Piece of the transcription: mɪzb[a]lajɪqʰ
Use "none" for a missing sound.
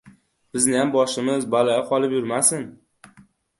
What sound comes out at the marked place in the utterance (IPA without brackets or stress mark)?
a